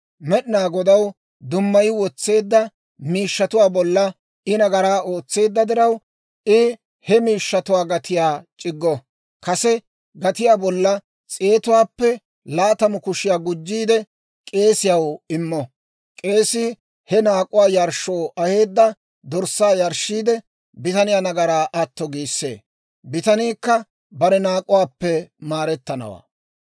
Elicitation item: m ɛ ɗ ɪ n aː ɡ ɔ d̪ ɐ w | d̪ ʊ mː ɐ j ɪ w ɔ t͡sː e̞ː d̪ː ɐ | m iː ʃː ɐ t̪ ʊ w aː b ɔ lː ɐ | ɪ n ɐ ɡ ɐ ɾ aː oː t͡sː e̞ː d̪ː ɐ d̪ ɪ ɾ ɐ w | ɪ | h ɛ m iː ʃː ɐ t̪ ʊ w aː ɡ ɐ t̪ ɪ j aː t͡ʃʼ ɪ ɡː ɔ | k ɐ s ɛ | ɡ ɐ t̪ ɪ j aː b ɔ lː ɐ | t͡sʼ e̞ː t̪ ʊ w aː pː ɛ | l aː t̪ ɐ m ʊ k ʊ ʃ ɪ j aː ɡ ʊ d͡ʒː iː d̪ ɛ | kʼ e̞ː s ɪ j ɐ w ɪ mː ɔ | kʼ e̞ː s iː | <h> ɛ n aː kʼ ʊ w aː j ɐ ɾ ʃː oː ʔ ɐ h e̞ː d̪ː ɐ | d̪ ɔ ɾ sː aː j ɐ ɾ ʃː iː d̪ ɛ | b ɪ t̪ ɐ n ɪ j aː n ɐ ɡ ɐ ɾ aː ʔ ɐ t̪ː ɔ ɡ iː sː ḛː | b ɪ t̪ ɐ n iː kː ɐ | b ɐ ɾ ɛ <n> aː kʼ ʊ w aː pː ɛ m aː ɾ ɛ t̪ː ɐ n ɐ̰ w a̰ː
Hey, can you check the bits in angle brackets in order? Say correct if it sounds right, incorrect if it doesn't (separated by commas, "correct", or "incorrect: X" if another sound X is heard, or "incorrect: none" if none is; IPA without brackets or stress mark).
correct, correct